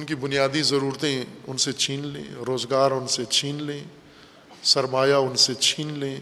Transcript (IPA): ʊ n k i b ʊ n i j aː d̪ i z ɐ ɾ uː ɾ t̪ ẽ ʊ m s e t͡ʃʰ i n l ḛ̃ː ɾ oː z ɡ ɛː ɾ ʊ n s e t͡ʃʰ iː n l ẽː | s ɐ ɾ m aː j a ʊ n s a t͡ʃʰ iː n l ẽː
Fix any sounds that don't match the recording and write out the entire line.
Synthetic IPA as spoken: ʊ n k i b ʊ n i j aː d̪ i z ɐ ɾ uː ɾ t̪ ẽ ʊ n s e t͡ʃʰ iː n l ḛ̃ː ɾ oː z ɡ aː ɾ ʊ n s e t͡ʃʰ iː n l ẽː | s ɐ ɾ m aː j a ʊ n s e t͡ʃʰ iː n l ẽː